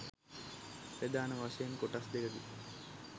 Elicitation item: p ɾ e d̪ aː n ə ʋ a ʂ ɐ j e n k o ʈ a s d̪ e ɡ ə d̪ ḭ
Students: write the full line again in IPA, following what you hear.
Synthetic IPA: p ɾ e d̪ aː n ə ʋ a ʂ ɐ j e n k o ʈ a s d̪ e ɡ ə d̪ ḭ